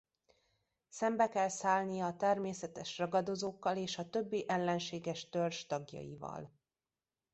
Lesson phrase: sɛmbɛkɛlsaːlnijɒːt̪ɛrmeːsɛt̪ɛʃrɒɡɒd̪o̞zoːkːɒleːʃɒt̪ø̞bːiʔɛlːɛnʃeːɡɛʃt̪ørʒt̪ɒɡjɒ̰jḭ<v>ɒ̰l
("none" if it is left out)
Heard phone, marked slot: v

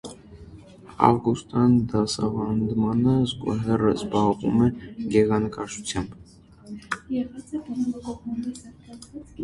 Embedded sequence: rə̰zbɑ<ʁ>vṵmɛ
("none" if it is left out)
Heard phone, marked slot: ʁ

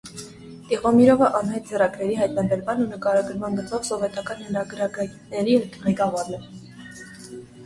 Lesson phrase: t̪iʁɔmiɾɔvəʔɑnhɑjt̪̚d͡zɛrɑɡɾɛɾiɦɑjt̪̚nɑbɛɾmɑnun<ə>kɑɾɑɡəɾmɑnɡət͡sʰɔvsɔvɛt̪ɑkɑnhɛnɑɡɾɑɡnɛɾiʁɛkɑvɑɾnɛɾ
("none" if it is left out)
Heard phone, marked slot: ə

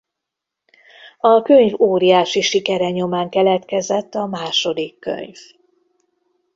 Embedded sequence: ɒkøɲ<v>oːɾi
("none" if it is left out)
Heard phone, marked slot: v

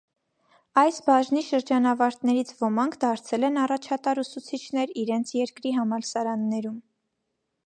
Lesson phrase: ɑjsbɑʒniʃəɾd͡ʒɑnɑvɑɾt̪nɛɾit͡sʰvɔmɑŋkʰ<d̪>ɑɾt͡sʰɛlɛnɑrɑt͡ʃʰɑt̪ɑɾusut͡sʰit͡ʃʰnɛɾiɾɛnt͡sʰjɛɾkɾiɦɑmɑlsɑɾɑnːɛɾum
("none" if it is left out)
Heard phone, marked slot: d̪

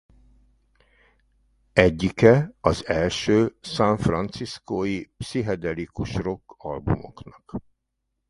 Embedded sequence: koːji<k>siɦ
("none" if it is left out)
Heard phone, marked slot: p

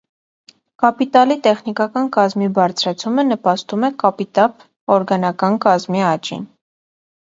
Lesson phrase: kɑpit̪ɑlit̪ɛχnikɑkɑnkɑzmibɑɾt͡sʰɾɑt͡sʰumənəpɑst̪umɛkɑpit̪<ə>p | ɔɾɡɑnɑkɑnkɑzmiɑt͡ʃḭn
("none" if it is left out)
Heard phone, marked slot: ɑ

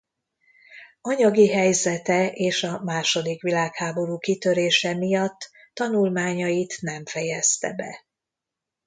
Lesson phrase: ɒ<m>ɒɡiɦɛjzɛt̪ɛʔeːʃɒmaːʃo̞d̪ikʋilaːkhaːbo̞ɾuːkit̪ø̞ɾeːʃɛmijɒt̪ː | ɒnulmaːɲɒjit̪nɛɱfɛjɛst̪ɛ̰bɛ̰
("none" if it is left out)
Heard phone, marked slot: ɲ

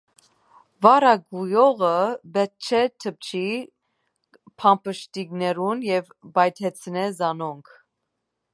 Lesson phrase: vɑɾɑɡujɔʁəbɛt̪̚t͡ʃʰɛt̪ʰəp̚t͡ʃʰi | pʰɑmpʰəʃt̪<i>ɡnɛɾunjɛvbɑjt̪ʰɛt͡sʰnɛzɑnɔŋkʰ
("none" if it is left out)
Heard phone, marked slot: i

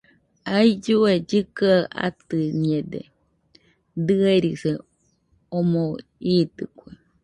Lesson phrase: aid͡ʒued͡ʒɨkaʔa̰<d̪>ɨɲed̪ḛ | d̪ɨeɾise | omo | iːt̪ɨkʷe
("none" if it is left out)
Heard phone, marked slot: t̪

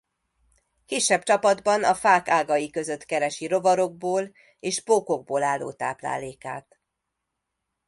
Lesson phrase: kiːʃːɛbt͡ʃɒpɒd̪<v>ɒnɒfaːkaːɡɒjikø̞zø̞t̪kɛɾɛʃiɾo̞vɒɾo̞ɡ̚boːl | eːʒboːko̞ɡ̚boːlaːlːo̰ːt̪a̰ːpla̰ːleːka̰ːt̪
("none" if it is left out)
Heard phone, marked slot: b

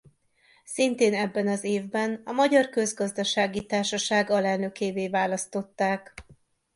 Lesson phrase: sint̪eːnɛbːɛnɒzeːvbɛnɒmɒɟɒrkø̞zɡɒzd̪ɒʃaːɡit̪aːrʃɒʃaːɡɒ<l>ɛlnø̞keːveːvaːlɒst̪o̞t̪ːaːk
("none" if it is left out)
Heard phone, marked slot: l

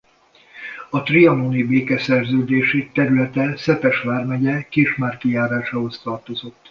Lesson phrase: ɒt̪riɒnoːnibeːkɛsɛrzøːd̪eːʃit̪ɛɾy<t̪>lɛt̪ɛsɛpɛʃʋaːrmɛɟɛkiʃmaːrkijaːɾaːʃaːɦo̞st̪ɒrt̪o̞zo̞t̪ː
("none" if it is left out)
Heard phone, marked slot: none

